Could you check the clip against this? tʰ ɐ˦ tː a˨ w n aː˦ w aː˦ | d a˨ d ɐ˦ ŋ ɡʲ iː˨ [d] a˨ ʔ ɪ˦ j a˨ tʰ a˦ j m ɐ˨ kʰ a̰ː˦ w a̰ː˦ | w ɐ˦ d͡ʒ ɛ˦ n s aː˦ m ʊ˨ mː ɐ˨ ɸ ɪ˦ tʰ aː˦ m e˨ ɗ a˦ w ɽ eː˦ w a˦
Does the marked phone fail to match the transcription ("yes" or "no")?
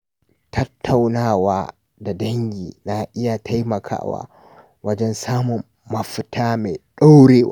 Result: yes